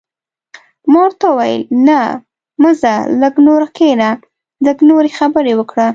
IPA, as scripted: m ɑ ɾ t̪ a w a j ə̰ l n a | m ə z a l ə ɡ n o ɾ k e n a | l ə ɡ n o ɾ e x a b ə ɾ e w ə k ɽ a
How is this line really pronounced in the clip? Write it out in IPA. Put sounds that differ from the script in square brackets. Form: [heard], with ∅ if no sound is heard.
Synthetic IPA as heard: m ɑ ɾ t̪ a w a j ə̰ l n a | m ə z a l ə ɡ n o ɾ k e n a | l ə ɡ n o ɾ e x a b ə ɾ e w ə k ɽ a